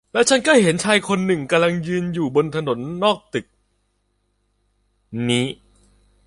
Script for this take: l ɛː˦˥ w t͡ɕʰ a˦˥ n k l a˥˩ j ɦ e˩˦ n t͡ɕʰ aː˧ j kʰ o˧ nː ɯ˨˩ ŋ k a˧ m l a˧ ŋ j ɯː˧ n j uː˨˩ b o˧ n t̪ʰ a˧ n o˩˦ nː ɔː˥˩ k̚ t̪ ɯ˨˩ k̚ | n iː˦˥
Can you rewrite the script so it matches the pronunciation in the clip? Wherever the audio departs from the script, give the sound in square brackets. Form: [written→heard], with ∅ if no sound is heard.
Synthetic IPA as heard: l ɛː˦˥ w t͡ɕʰ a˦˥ n k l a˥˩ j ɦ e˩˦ n t͡ɕʰ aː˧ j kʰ o˧ nː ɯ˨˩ ŋ k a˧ m l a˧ ŋ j ɯː˧ n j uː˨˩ b o˧ n t̪ʰ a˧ n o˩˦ nː ɔː˥˩ k̚ t̪ ɯ˨˩ k̚ | n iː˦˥